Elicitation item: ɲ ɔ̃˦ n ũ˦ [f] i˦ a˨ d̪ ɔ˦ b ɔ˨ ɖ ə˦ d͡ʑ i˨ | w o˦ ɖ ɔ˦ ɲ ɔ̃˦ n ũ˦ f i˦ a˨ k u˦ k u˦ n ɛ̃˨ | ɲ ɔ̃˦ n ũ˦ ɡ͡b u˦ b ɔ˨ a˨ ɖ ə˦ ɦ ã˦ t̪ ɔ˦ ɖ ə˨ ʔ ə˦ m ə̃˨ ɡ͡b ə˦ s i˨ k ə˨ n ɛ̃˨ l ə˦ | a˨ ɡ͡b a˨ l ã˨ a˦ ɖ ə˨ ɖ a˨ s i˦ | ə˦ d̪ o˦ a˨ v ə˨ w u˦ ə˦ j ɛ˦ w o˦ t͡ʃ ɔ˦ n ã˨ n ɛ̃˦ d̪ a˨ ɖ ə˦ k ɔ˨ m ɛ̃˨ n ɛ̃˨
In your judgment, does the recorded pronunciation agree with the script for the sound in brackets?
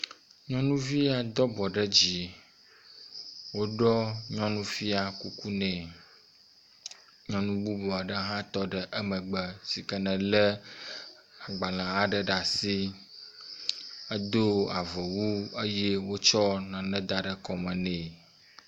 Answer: no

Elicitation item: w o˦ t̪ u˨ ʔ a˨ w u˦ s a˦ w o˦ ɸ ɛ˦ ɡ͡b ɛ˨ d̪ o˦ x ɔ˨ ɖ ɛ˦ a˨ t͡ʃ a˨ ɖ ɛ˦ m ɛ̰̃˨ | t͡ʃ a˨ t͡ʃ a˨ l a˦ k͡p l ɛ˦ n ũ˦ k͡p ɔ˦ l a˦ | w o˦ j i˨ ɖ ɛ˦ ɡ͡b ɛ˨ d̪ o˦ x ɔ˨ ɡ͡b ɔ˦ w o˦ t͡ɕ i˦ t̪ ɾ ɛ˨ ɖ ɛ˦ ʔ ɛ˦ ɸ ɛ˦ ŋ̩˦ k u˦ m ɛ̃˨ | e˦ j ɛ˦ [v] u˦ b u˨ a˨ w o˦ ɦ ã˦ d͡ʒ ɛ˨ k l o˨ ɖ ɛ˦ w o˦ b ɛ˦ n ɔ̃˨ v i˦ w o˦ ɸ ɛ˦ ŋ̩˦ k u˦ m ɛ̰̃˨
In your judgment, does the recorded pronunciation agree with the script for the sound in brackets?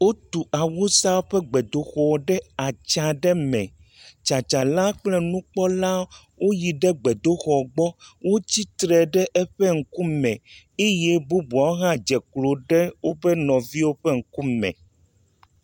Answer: no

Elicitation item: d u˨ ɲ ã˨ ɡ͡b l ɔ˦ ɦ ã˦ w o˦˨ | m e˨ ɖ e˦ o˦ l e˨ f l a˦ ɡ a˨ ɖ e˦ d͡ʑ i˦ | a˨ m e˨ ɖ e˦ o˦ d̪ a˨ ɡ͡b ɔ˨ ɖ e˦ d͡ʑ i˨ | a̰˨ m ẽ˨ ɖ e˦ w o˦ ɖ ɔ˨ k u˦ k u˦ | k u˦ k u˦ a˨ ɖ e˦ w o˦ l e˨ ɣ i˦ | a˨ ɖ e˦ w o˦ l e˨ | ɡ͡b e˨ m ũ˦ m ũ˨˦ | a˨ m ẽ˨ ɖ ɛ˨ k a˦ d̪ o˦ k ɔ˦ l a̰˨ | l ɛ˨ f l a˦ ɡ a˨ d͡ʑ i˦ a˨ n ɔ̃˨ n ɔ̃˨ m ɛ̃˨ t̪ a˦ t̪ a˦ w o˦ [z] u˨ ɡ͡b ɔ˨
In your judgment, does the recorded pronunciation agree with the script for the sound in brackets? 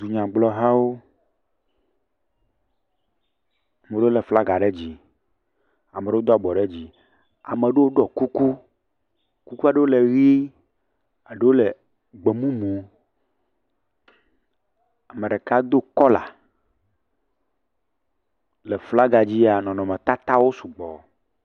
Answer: no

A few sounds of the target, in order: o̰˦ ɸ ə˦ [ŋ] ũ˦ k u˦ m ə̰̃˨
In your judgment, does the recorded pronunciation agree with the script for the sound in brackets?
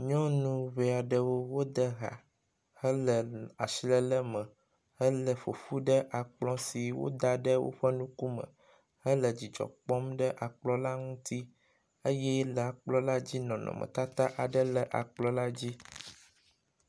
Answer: no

